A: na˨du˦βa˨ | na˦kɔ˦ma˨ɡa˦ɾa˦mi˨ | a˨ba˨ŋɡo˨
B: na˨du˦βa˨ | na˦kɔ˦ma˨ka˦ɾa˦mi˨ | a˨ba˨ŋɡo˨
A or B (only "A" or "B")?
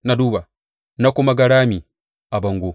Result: A